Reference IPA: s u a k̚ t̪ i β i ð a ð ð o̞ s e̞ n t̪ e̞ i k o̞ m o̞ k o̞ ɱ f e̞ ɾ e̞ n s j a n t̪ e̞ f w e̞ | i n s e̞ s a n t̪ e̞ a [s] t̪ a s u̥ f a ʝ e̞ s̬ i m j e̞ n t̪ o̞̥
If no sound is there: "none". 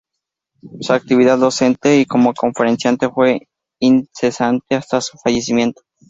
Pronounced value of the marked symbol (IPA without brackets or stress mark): s